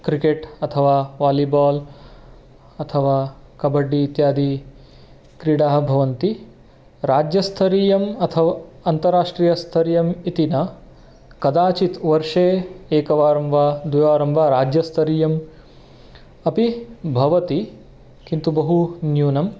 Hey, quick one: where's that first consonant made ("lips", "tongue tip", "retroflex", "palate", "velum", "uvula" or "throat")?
velum